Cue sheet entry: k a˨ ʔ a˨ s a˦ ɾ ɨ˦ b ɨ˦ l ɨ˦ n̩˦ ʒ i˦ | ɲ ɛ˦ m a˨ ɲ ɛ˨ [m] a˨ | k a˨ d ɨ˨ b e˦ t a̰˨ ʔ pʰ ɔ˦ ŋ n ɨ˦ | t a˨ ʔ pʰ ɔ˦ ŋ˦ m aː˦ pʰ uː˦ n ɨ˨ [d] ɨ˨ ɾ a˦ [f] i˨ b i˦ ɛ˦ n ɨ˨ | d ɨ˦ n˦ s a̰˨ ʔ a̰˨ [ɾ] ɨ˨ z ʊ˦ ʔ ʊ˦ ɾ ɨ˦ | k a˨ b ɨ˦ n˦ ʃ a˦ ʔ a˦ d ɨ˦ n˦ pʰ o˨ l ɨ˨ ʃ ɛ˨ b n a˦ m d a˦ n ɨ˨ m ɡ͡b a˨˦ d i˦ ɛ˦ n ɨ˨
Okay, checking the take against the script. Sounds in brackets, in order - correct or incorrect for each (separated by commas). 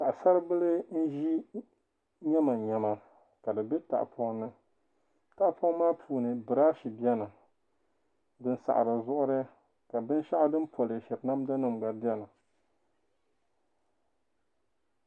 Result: correct, incorrect, incorrect, correct